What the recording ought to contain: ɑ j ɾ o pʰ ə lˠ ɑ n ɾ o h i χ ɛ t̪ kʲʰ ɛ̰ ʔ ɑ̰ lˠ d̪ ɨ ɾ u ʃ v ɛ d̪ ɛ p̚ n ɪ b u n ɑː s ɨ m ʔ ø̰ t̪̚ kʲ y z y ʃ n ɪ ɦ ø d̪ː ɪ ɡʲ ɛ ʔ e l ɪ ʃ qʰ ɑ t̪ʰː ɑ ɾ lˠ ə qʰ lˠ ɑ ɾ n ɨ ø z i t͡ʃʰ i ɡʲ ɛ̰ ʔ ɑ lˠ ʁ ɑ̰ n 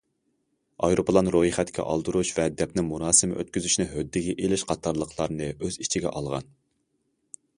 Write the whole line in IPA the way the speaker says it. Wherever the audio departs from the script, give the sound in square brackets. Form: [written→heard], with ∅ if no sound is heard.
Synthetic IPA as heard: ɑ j ɾ o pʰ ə lˠ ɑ n ɾ o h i χ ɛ t̪ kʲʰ ɛ̰ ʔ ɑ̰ lˠ d̪ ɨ ɾ u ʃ v ɛ d̪ ɛ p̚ n ɪ [b→m] u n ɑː s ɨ m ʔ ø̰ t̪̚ kʲ y z y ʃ n ɪ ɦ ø d̪ː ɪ ɡʲ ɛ ʔ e l ɪ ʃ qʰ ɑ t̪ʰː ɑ ɾ lˠ ə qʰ lˠ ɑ ɾ n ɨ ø z i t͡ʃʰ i ɡʲ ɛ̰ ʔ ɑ lˠ ʁ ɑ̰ n